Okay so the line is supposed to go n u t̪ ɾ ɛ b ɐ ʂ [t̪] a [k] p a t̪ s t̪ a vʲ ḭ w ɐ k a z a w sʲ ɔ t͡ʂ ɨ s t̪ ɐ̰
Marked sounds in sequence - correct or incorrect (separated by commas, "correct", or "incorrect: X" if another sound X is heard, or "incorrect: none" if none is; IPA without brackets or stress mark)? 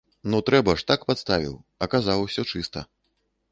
correct, correct